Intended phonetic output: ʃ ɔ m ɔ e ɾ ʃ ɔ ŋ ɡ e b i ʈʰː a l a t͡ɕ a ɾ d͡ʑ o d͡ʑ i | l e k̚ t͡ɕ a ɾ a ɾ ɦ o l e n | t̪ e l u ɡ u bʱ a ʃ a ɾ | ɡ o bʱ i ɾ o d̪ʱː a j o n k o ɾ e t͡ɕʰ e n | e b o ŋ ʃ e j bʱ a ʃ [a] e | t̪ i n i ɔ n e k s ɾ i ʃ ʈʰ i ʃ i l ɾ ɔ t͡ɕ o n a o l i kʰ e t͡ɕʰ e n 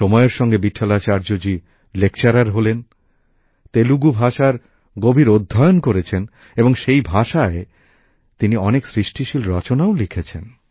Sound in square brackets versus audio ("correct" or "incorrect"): correct